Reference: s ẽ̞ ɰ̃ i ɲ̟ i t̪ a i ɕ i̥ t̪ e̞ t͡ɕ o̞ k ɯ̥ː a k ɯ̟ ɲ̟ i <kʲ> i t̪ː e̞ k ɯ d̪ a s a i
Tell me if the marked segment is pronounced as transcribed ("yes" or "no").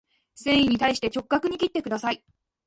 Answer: yes